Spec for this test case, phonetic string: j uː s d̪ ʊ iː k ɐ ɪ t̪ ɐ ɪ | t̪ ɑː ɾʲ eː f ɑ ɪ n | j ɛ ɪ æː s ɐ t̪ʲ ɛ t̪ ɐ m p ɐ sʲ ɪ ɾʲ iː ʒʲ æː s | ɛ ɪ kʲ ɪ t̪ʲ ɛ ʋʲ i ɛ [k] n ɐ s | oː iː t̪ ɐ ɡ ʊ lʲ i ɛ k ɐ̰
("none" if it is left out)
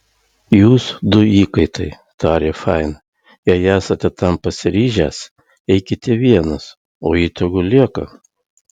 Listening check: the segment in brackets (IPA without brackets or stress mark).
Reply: none